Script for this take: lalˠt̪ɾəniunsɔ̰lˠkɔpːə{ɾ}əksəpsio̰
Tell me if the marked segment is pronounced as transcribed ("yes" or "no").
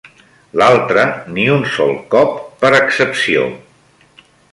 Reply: yes